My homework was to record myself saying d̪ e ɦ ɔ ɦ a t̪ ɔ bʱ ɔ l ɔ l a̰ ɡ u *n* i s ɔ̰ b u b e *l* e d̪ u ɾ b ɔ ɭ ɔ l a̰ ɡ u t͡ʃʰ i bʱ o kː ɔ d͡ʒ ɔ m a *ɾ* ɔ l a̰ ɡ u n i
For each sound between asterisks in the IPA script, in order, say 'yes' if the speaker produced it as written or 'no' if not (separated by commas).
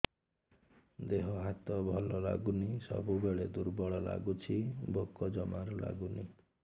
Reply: yes, no, yes